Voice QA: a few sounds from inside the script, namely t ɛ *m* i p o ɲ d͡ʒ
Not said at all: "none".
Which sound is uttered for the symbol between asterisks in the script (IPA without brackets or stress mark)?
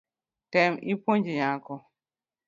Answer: m